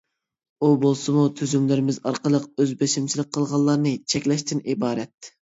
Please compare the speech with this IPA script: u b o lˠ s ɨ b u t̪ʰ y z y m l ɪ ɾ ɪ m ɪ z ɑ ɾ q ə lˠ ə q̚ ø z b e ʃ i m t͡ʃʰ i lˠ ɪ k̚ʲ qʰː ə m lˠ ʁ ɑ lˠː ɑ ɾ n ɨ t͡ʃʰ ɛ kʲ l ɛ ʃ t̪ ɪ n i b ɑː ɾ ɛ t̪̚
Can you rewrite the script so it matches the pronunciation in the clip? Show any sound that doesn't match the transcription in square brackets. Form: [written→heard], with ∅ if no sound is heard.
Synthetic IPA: u b o lˠ s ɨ [b→m] u t̪ʰ y z y m l ɪ ɾ ɪ m ɪ z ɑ ɾ q ə lˠ ə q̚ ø z b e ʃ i m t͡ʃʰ i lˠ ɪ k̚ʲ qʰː ə [m→∅] lˠ ʁ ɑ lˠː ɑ ɾ n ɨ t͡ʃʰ ɛ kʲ l ɛ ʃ t̪ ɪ n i b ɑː ɾ ɛ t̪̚

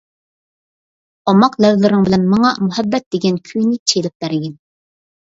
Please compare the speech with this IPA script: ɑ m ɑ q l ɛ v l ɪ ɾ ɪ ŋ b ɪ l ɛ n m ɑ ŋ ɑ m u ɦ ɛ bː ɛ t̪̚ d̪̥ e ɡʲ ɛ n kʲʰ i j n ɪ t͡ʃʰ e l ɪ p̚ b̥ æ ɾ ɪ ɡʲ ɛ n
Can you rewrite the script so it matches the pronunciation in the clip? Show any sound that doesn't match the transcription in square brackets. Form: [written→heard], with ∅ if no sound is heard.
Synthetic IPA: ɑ m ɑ q l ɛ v l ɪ ɾ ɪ ŋ b ɪ l ɛ n m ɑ ŋ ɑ m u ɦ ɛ bː ɛ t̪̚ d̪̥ e ɡʲ ɛ n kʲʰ [i→y] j n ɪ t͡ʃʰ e l ɪ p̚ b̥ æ ɾ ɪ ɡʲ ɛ n

